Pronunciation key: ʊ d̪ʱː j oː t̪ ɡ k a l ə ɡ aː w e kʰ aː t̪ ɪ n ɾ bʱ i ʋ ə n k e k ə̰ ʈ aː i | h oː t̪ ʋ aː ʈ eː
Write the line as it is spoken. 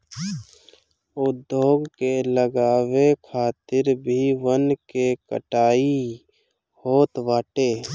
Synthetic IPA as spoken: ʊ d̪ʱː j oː ɡ k e l ə ɡ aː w e kʰ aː t̪ ɪ ɾ bʱ i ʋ ə n k e k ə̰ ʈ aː i | h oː t̪ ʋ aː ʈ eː